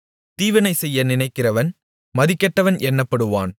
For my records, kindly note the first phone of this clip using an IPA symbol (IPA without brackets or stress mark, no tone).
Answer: t̪